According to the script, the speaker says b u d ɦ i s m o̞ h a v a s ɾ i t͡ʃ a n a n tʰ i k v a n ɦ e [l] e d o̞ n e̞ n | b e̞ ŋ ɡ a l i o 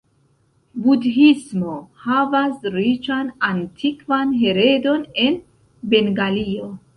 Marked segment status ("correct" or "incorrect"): incorrect